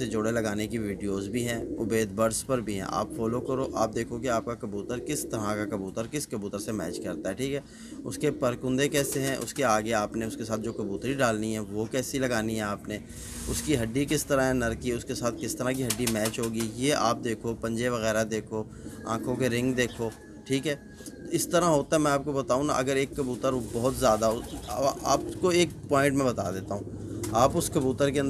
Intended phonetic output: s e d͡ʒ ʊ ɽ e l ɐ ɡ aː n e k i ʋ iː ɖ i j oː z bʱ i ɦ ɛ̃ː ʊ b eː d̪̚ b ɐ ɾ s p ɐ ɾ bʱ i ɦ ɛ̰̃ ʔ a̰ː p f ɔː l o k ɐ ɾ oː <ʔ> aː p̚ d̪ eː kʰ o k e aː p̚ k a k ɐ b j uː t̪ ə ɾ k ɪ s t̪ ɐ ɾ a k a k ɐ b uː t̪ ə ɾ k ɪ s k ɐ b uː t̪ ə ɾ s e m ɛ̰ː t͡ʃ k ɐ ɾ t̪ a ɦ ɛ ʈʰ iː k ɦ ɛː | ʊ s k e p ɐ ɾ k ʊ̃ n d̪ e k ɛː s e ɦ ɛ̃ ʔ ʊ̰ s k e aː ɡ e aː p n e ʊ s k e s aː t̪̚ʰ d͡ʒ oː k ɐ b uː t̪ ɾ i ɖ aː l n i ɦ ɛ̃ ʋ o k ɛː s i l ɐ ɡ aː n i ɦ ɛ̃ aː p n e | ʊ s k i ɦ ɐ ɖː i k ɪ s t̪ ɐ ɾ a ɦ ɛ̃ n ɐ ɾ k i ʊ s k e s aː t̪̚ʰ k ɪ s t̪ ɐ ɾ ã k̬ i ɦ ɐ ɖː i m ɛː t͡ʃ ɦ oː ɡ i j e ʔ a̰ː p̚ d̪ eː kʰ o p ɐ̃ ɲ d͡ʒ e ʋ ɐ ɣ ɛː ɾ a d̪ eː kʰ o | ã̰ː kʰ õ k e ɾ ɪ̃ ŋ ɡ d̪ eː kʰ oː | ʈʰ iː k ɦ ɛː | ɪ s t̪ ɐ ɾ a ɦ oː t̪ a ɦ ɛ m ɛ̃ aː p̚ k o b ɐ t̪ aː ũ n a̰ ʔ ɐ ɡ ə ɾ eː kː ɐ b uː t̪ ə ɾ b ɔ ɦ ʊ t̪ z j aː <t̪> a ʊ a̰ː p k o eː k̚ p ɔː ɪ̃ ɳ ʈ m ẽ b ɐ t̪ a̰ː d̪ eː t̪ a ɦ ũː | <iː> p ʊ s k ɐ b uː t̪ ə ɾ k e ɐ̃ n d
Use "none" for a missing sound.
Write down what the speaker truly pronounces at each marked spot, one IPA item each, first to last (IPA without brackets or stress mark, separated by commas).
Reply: ʔ, d̪, aː